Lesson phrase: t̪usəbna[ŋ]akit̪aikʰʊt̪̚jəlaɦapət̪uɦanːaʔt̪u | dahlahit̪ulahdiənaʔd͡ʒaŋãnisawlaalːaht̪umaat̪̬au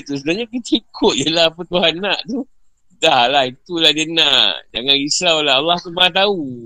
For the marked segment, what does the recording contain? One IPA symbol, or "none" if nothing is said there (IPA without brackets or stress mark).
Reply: ɲ